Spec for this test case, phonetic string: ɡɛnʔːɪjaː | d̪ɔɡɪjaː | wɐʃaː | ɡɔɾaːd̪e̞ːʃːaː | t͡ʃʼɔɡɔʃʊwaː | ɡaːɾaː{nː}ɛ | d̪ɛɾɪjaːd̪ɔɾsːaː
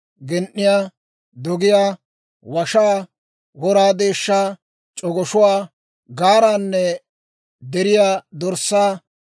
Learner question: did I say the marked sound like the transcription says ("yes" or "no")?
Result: yes